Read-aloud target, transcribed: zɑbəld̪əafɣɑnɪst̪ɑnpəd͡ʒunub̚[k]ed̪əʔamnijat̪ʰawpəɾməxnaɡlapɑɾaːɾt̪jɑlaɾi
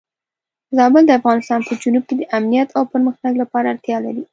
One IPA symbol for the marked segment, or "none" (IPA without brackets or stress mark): k